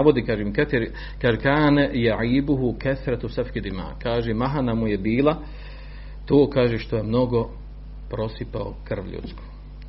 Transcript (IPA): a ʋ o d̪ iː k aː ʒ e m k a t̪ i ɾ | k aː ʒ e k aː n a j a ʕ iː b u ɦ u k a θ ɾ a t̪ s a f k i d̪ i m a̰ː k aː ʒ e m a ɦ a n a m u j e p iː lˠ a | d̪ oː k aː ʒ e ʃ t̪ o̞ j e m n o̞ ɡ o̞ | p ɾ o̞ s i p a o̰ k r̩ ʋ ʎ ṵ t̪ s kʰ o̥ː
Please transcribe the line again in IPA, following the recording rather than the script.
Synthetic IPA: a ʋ o d̪ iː k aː ʒ e m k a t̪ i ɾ | k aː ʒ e k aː n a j a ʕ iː b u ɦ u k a θ ɾ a t̪ s a f k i d̪ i m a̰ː k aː ʒ e m a ɦ a n a m u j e b iː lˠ a | t̪ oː k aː ʒ e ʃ t̪ o̞ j e m n o̞ ɡ o̞ | p ɾ o̞ s i p a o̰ k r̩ ʋ ʎ ṵ t̪ s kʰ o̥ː